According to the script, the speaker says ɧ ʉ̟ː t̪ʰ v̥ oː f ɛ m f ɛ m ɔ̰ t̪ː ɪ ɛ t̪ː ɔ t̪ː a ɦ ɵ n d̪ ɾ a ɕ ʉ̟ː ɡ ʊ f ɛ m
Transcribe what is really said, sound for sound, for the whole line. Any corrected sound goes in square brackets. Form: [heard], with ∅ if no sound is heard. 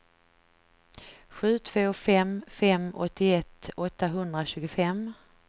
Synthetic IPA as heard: ɧ ʉ̟ː t̪ʰ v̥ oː f ɛ m f ɛ m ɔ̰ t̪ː ɪ ɛ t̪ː ɔ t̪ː a ɦ ɵ n d̪ ɾ a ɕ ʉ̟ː ɡ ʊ f ɛ m

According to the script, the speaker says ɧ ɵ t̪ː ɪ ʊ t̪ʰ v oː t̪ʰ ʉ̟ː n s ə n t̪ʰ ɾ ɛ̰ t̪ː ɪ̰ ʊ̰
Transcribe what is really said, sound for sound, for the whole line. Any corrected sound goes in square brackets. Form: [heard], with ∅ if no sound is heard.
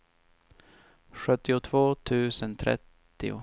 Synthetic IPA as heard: ɧ ɵ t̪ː ɪ ʊ t̪ʰ v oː t̪ʰ ʉ̟ː [∅] s ə n t̪ʰ ɾ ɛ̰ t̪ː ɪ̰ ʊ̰

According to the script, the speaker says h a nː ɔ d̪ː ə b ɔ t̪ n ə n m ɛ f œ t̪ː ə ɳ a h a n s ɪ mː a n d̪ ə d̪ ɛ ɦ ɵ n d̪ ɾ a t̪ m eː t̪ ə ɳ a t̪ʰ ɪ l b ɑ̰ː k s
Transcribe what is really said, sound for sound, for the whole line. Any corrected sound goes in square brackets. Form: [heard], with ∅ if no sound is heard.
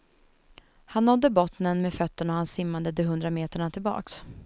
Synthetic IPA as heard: h a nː ɔ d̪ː ə b ɔ t̪ n ə n m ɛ f œ t̪ː ə ɳ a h a n s ɪ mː a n d̪ ə d̪ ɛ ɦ ɵ n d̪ ɾ a [∅] m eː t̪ ə ɳ a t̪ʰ ɪ l b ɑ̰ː k s

